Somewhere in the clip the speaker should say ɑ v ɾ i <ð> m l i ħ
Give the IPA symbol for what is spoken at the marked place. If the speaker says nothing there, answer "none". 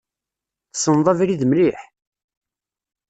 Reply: ð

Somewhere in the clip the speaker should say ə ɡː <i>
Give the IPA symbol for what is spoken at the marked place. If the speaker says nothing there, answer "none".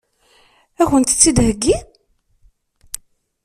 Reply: i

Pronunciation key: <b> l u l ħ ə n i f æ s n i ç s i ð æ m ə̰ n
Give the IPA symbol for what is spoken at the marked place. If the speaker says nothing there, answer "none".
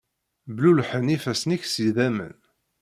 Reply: b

